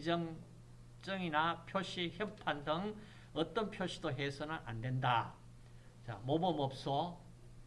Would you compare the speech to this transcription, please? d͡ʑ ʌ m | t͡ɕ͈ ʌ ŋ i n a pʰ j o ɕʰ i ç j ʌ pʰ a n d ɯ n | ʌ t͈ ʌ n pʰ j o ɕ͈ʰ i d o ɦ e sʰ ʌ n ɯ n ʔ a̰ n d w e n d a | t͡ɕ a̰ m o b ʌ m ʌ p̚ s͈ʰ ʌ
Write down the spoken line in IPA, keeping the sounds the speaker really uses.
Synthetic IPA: d͡ʑ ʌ ŋ | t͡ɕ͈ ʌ ŋ i n a pʰ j o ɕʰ i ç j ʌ pʰ a n d ɯ ŋ | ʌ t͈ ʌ n pʰ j o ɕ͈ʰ i d o ɦ e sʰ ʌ n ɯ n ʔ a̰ n d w e n d a | t͡ɕ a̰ m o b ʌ m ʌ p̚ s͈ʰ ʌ